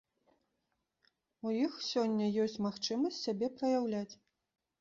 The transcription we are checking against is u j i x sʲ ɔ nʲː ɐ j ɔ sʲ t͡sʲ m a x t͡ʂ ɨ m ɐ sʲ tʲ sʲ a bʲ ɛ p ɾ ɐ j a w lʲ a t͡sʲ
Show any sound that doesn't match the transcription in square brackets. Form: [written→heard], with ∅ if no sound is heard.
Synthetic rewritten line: u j i x sʲ ɔ nʲː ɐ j ɔ sʲ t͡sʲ m a x t͡ʂ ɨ m ɐ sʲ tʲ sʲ a bʲ ɛ p ɾ ɐ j a w lʲ a t͡sʲ